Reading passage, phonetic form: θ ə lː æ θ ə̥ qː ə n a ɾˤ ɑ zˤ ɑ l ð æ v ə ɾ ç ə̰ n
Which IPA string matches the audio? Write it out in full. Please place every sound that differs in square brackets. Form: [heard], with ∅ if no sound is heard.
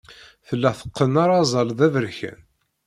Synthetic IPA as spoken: θ ə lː æ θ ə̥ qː ə n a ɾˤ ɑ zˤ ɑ l ð æ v ə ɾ ç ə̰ n